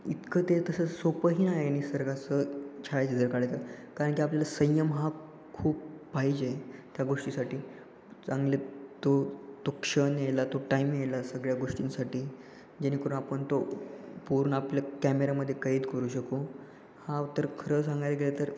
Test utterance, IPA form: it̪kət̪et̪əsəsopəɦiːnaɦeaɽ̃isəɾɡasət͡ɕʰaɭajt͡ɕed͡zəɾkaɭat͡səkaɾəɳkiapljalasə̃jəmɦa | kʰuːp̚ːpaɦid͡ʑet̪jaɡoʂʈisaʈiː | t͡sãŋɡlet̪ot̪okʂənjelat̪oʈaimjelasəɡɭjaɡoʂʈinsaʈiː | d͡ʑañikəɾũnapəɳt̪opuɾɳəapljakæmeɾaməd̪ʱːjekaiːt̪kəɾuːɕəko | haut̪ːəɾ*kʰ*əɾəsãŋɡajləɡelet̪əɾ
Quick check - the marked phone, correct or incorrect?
correct